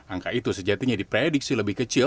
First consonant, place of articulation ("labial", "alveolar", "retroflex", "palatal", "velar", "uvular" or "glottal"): velar